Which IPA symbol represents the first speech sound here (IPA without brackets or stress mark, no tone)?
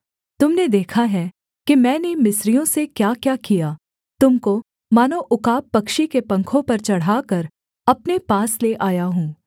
t̪